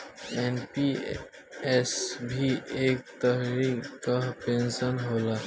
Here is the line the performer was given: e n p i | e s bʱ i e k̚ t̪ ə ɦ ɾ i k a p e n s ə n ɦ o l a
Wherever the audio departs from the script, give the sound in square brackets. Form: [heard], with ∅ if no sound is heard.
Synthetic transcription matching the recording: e n p i | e s bʱ i e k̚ t̪ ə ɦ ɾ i k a p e n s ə n ɦ o l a